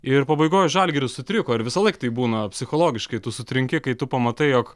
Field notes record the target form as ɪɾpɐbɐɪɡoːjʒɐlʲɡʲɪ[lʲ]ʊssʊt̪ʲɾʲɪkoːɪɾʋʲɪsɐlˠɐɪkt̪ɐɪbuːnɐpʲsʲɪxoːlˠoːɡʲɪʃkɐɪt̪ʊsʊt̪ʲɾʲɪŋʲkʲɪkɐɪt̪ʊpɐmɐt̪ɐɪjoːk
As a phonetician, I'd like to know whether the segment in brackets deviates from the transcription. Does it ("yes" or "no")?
yes